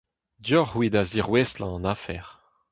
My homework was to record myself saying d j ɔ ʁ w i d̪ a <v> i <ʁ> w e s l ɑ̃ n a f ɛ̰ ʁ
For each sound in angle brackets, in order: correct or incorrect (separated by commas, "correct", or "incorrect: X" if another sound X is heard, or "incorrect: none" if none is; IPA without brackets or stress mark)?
incorrect: z, correct